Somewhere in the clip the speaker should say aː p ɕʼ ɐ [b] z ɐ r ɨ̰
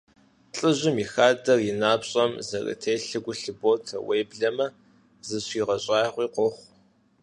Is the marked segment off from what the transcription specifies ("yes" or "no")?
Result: yes